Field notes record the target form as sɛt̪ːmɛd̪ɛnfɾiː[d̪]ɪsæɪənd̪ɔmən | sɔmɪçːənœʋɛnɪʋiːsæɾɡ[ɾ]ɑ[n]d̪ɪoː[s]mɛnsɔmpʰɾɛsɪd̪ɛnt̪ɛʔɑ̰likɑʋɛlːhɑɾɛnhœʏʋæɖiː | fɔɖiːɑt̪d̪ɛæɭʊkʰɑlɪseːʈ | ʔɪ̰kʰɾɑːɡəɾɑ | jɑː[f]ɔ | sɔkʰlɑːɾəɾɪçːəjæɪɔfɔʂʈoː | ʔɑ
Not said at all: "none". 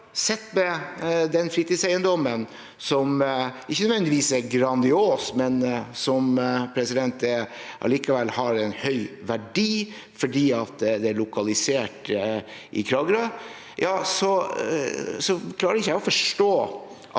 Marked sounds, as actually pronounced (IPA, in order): t̪, ɾ, n, s, s

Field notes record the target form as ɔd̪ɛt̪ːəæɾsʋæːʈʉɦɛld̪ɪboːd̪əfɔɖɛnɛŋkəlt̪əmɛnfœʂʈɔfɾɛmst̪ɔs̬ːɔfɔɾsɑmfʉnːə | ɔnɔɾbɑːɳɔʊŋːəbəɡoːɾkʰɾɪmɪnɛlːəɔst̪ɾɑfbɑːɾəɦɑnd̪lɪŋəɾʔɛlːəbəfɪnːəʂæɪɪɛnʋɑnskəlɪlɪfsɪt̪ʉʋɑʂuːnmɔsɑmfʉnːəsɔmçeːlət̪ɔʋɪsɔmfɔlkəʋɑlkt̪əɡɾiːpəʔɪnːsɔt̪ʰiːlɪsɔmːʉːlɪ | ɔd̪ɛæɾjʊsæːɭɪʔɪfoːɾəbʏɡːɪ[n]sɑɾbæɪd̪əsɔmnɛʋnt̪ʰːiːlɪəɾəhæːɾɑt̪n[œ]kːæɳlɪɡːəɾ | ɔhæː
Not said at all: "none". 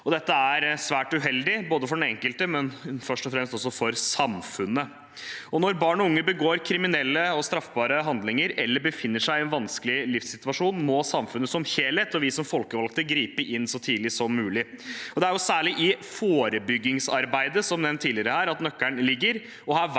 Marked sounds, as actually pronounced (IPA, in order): ŋ, œ

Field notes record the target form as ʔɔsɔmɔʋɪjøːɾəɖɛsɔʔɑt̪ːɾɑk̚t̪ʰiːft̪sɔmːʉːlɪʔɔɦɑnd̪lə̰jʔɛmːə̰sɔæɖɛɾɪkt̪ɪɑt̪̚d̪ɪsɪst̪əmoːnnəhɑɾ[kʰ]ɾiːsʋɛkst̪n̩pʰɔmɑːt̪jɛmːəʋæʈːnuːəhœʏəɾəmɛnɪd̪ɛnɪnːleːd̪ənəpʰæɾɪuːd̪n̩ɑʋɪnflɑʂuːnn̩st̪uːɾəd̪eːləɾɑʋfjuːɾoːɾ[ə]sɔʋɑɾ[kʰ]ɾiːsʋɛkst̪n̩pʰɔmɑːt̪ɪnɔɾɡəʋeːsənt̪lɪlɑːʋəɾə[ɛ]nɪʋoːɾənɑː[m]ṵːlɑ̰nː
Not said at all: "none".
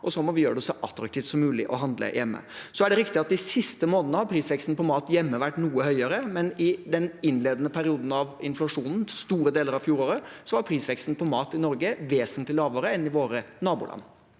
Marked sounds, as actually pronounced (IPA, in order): pʰ, ə, pʰ, ɛ, b

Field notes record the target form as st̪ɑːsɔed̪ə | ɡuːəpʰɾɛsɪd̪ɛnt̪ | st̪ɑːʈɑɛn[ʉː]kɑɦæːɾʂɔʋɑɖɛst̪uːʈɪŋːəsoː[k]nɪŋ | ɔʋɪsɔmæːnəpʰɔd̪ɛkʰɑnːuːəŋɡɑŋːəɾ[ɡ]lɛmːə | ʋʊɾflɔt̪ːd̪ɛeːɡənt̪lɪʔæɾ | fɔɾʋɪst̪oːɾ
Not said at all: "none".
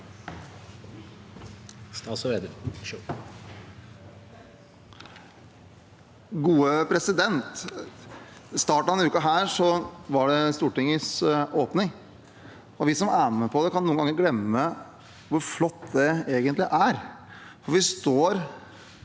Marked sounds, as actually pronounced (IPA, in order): ʉː, p, ɡ

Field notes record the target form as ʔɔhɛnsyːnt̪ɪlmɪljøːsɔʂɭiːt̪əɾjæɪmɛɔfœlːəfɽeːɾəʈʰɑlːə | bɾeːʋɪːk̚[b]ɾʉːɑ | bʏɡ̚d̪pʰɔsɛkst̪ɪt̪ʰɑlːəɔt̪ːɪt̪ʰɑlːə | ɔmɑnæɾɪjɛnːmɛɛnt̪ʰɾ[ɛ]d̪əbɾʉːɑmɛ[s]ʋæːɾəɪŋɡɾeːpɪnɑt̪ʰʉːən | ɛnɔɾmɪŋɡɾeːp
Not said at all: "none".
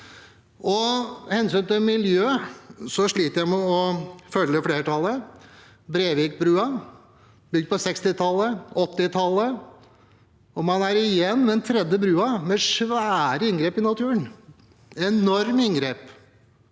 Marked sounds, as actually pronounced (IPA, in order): b, ɛ, ʂ

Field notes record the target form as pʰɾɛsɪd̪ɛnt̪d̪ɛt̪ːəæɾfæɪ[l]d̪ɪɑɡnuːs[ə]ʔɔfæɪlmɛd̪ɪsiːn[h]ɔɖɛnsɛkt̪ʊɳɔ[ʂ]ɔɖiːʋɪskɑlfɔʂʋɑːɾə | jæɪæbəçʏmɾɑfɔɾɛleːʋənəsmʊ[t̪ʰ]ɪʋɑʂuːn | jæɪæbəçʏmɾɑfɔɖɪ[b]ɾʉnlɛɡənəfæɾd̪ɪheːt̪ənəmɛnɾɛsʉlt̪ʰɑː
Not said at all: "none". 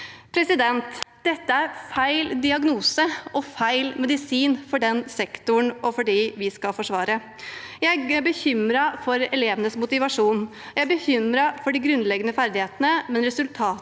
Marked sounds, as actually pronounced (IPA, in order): l, ə, f, f, t̪, ɡ

